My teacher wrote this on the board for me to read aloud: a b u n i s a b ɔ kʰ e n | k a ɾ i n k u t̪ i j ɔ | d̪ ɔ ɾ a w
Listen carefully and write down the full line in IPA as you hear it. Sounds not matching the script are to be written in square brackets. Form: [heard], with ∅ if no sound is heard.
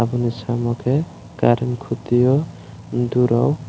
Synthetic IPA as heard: a b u n i s a [m] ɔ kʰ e [∅] | k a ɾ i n [kʰ] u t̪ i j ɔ | d̪ [u] ɾ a w